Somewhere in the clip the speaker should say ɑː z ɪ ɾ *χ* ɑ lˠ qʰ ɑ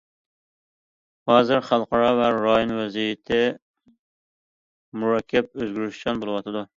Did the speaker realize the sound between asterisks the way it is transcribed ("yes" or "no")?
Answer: yes